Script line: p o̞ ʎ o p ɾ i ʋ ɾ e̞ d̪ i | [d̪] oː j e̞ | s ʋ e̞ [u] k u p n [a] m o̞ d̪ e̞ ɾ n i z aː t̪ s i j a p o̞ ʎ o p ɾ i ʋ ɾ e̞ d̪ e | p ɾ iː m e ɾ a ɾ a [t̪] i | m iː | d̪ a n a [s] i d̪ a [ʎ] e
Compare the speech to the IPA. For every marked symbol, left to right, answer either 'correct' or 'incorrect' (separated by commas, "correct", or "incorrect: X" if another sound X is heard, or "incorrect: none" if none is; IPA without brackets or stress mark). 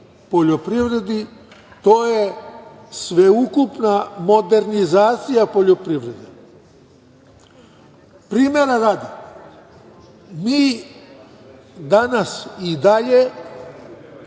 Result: incorrect: t̪, correct, correct, incorrect: d̪, correct, correct